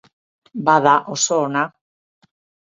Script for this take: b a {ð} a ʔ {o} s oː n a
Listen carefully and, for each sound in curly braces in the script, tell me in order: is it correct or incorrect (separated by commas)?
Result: correct, correct